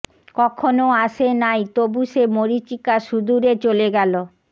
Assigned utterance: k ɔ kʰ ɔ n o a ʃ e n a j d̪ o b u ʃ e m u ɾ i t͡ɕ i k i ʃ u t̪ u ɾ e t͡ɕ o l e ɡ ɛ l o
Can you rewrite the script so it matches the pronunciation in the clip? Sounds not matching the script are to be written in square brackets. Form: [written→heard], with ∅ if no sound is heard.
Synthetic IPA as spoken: k ɔ kʰ [ɔ→o] n o a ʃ e n a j [d̪→t̪] o b u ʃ e m [u→o] ɾ i t͡ɕ i k [i→a] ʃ u [t̪→d̪] u ɾ e t͡ɕ o l e ɡ ɛ l o